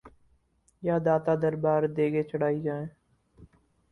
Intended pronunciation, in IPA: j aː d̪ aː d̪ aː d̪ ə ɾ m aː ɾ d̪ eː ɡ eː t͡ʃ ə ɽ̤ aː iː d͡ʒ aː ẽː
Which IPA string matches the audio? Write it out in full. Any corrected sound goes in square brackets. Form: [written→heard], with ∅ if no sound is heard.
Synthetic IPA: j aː d̪ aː [d̪→t̪] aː d̪ ə ɾ [m→b] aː ɾ d̪ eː ɡ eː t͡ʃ ə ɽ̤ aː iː d͡ʒ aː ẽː